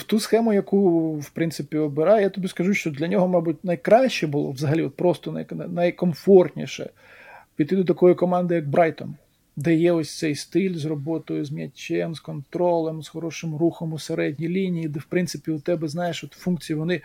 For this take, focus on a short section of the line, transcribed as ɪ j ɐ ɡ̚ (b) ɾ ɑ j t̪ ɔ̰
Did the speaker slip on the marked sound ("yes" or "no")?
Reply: no